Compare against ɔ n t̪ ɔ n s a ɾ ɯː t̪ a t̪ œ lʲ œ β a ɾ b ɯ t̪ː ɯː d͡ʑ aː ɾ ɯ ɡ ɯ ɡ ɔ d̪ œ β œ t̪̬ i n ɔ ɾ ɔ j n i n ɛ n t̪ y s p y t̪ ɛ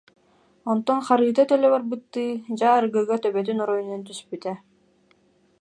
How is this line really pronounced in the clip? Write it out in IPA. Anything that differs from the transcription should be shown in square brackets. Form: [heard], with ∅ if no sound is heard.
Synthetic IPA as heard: ɔ n t̪ ɔ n [χ] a ɾ ɯː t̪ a t̪ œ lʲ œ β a ɾ b ɯ t̪ː ɯː d͡ʑ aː ɾ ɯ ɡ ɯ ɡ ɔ [t̪] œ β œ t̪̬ [y] n ɔ ɾ ɔ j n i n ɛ n t̪ y s p y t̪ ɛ